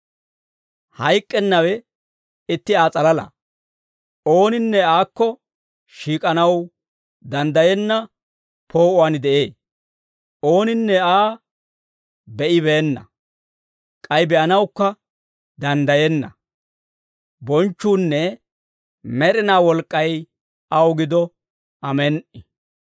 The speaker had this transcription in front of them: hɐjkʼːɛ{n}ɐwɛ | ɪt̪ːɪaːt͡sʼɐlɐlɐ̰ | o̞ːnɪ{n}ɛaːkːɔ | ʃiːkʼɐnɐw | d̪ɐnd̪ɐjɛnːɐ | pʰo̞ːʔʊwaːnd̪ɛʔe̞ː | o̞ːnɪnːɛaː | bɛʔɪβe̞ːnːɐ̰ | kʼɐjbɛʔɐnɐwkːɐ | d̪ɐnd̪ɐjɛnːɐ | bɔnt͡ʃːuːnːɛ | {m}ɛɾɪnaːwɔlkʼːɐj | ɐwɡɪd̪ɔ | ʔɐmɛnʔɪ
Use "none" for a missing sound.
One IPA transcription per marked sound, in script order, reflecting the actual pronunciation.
nː, nː, m

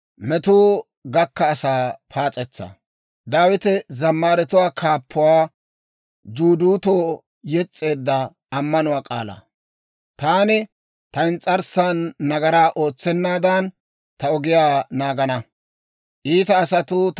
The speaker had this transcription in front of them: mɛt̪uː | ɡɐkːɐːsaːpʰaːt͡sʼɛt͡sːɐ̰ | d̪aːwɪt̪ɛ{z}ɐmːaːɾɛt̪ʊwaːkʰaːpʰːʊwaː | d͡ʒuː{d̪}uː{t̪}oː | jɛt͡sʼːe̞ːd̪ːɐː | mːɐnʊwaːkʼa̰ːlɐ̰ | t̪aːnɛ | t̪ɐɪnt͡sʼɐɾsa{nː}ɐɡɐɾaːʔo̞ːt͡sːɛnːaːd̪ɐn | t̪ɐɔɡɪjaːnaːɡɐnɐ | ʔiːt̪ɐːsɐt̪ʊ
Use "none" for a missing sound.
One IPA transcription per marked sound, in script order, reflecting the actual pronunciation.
z, d̪, t̪, nː

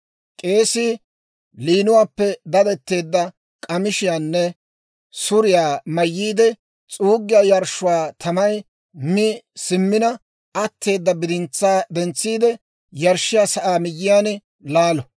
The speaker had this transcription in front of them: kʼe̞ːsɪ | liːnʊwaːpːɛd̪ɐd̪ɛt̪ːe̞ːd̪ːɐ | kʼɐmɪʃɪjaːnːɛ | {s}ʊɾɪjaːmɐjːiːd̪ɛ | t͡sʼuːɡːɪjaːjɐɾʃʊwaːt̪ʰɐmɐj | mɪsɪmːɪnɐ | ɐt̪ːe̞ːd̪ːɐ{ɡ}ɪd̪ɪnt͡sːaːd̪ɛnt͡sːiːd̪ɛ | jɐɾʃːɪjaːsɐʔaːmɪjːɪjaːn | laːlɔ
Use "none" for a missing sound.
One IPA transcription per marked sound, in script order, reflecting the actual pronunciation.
s, b

